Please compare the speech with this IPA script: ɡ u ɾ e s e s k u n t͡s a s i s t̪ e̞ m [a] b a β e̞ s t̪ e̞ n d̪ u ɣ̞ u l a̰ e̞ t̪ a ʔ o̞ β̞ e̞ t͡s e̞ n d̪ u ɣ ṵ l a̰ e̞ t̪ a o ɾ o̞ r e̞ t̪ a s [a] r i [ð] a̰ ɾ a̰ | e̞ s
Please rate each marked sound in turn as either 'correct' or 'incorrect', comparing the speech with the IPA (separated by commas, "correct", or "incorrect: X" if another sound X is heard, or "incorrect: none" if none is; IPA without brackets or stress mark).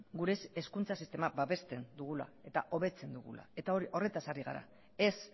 correct, correct, incorrect: ɣ